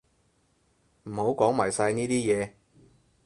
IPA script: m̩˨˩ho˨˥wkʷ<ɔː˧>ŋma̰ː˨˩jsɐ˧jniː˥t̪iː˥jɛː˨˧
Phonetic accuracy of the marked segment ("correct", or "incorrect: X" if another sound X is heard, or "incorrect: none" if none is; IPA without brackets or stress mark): incorrect: ɔː˨˥